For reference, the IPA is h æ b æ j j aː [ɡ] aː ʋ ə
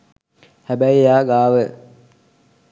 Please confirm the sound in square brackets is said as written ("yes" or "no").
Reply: yes